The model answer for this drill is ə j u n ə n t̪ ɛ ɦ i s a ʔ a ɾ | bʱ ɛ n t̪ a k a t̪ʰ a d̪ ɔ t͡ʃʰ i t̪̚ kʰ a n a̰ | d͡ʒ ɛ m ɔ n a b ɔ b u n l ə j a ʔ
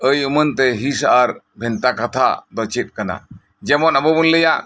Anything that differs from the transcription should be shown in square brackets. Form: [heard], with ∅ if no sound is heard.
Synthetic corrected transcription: ə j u [m] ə n t̪ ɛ ɦ i s a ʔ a ɾ | bʱ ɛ n t̪ a k a t̪ʰ a d̪ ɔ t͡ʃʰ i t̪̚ [k] a n a̰ | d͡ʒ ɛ m ɔ n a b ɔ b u n l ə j a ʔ

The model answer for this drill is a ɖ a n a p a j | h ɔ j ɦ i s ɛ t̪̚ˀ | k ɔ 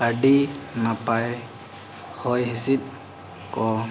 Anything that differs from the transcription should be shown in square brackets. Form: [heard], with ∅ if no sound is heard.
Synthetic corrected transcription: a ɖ [i] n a p a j | h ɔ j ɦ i s [i] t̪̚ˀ | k ɔ

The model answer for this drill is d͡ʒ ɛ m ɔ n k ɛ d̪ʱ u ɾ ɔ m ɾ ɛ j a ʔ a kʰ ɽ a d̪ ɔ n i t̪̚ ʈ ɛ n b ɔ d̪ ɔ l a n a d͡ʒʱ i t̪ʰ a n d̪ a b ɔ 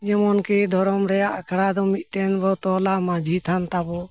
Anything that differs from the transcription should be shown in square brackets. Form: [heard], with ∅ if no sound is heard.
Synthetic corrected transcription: d͡ʒ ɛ m ɔ n k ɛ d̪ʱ [ɔ] ɾ ɔ m ɾ ɛ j a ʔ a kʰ ɽ a d̪ ɔ [m] i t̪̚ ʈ ɛ n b ɔ [t̪] ɔ l a [m] a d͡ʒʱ i t̪ʰ a n [t̪] a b ɔ

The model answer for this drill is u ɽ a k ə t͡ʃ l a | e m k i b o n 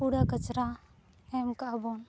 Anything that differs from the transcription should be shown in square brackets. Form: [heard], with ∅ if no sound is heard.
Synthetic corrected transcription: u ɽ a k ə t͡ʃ [ɾ] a | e m k [a] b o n

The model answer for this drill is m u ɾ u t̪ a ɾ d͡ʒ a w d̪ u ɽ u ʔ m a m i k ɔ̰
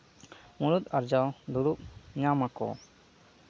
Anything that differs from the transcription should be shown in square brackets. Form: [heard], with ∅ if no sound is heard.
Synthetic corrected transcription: m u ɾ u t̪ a ɾ d͡ʒ a w d̪ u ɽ u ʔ [ɲ] a m [a] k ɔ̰

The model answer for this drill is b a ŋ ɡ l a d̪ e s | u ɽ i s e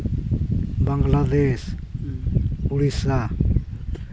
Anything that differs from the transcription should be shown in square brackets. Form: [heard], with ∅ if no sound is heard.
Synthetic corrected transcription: b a ŋ ɡ l a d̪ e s | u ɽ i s [a]

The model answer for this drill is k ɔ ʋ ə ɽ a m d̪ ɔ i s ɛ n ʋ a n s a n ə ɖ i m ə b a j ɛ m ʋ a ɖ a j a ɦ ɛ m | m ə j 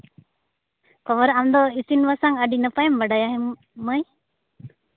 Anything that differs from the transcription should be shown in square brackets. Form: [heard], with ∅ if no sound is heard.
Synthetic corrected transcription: k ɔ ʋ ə [ɾ] a m d̪ ɔ i s [i] n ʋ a [∅] s a [ŋ] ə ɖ i [n] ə [p] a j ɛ m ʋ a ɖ a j a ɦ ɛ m | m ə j

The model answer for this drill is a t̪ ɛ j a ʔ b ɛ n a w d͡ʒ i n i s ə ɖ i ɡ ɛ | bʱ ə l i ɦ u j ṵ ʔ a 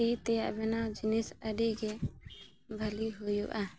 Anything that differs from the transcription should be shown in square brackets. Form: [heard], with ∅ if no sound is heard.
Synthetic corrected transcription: [i] t̪ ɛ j a ʔ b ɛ n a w d͡ʒ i n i s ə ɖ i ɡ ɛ | bʱ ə l i ɦ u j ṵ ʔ a

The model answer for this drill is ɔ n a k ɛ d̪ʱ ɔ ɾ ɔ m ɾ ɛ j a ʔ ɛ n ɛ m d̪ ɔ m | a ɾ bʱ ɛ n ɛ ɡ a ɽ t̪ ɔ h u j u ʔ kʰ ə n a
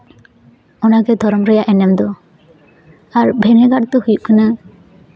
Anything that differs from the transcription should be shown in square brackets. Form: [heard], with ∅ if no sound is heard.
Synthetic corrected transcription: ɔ n a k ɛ d̪ʱ ɔ ɾ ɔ m ɾ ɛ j a ʔ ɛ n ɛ m d̪ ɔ [∅] | a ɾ bʱ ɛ n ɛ ɡ a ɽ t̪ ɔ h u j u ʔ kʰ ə n a

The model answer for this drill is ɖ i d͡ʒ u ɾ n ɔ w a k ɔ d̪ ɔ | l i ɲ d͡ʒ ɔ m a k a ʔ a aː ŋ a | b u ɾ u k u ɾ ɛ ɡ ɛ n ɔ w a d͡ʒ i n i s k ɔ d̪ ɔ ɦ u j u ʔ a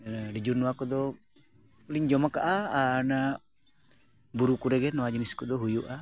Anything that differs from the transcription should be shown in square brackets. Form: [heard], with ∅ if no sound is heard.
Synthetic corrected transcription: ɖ i d͡ʒ u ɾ n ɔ w a k ɔ d̪ ɔ | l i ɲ d͡ʒ ɔ m a k a ʔ a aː [n] a | b u ɾ u k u ɾ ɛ ɡ ɛ n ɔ w a d͡ʒ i n i s k ɔ d̪ ɔ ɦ u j u ʔ a

